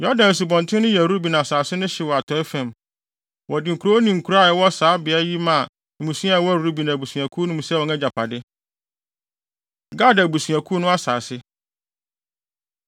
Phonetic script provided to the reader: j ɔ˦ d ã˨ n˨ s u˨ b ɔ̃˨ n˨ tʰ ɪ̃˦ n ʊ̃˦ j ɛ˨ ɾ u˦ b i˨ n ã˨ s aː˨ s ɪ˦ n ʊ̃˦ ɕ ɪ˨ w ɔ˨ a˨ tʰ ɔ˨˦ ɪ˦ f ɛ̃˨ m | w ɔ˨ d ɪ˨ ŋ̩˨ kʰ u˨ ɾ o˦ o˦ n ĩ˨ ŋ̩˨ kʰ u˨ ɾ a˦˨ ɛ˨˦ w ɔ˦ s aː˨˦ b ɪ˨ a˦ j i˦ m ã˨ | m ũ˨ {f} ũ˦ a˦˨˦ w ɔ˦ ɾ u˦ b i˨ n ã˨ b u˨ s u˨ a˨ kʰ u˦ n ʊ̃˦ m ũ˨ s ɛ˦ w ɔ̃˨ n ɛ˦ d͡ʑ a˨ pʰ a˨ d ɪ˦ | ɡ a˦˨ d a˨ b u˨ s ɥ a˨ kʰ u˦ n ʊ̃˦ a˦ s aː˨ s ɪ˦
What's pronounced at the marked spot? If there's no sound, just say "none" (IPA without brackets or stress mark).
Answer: s